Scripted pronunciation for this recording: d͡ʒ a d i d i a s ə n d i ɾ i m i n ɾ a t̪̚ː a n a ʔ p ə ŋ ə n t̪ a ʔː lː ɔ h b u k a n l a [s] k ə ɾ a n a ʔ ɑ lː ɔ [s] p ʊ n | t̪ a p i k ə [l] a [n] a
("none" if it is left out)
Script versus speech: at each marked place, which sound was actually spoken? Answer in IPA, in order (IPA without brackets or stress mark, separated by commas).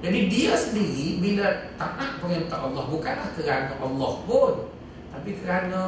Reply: h, h, ɾ, n